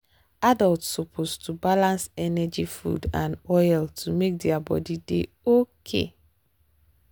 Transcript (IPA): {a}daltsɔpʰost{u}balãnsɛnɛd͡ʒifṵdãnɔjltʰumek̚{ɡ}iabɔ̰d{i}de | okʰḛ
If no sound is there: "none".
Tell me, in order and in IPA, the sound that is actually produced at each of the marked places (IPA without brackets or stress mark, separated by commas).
a, u, d, i